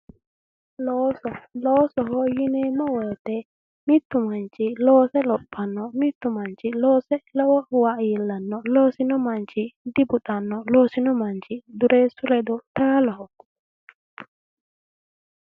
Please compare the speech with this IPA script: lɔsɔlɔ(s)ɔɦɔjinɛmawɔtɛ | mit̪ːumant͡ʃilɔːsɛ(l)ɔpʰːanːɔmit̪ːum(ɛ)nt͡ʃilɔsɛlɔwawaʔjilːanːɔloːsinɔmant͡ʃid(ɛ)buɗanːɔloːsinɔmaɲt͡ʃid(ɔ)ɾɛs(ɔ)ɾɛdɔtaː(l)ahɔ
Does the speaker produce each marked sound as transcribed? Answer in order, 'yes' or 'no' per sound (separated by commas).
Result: yes, yes, no, no, no, no, yes